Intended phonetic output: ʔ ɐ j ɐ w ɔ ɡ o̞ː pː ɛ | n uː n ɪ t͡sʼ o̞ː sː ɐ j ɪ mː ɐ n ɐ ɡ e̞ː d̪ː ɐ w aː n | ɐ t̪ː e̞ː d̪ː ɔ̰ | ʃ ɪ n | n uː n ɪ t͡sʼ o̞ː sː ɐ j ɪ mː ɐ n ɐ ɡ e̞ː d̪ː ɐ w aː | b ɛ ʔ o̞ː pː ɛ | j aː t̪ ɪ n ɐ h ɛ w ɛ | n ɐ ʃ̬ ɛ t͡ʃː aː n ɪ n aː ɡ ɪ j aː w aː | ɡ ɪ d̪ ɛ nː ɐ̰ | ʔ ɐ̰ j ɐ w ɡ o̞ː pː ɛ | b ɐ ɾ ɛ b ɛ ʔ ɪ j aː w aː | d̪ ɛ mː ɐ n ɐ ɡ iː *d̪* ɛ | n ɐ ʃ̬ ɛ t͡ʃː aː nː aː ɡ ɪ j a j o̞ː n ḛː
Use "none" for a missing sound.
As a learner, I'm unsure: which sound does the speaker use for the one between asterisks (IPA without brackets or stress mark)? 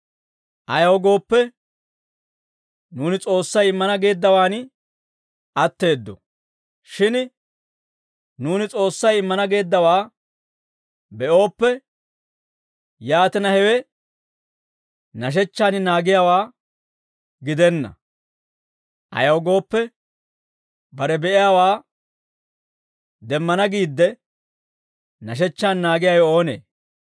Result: d̪ː